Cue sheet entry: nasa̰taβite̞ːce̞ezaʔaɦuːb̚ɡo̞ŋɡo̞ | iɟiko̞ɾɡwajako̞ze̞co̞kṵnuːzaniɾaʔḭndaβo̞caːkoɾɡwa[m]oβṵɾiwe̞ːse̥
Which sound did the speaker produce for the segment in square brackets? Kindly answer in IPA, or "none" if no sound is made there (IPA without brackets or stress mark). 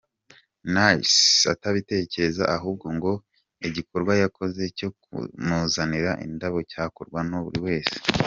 n